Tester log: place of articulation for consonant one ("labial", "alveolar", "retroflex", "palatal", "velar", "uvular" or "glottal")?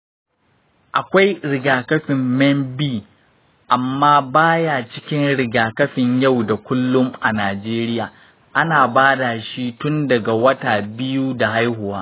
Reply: glottal